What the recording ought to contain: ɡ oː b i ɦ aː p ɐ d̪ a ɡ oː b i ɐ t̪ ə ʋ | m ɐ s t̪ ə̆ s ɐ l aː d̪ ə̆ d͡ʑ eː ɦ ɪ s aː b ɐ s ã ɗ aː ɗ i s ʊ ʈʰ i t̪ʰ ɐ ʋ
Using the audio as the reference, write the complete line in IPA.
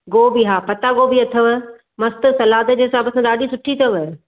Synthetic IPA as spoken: ɡ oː b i ɦ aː p ɐ t̪ a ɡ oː b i ɐ t̪ʰ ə ʋ | m ɐ s t̪ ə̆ s ɐ l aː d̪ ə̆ d͡ʑ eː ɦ ɪ s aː b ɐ s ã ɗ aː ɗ i s ʊ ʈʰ i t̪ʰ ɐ ʋ